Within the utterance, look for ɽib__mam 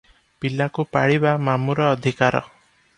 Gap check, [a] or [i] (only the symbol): a